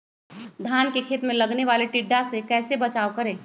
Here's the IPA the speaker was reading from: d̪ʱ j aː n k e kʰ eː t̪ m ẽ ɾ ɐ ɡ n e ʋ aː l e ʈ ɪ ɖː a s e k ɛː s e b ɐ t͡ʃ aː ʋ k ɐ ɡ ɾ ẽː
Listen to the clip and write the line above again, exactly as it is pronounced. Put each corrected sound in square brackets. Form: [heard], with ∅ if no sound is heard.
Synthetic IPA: d̪ʱ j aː n k e kʰ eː t̪ m ẽ [l] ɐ ɡ n e ʋ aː l e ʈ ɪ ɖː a s e k ɛː s e b ɐ t͡ʃ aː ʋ k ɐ [∅] ɾ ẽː